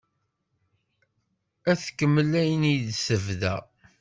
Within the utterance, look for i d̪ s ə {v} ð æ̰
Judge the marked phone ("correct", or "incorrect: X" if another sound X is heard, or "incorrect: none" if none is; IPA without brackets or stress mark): correct